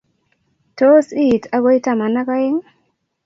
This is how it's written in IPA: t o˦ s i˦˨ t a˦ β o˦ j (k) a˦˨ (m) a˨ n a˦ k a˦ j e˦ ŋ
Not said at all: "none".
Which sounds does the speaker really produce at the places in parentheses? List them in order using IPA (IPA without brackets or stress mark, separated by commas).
t, m